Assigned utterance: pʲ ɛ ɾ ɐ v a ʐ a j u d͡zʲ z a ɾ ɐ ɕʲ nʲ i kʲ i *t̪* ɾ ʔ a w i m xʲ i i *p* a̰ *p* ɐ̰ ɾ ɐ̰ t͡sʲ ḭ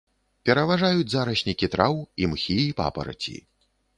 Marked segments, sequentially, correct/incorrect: correct, correct, correct

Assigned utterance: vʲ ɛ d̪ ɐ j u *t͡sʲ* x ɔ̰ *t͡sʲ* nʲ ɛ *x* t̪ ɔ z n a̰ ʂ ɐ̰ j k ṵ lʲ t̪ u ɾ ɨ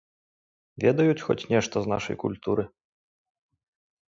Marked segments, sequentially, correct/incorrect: correct, correct, incorrect

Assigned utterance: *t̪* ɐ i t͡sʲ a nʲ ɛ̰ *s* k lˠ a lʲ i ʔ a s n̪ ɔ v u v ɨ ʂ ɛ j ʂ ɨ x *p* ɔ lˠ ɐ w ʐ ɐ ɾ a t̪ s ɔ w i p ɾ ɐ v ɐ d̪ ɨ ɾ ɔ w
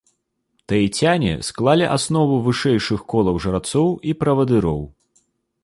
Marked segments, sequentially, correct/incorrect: correct, correct, incorrect

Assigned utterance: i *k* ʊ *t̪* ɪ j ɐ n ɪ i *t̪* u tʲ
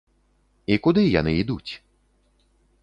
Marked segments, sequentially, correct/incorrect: correct, incorrect, incorrect

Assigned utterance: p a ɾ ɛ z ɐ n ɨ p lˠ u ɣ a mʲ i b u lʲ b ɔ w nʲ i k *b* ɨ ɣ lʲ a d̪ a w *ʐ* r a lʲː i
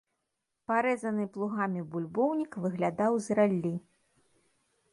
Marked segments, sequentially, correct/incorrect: incorrect, incorrect

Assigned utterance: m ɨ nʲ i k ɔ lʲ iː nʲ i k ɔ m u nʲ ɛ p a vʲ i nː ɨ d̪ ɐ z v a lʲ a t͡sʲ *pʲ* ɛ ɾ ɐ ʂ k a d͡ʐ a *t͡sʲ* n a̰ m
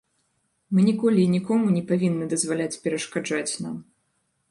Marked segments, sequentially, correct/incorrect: correct, correct

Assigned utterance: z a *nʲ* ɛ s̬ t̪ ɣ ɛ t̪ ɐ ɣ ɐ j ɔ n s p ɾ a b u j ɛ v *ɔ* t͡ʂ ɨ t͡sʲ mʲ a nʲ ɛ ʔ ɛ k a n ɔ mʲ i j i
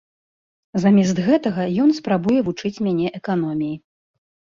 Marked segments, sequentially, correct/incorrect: incorrect, incorrect

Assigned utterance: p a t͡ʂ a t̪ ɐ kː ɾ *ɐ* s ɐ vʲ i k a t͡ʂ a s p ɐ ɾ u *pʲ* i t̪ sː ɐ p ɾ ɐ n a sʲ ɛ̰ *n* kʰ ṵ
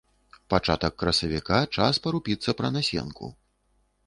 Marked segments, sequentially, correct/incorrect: correct, correct, correct

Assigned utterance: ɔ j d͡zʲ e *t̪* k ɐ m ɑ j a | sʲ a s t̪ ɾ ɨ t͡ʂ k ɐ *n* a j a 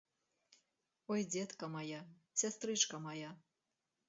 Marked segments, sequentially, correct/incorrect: correct, incorrect

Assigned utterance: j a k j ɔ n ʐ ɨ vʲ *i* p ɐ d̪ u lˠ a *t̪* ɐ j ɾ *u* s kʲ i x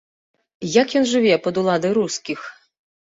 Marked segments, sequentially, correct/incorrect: incorrect, incorrect, correct

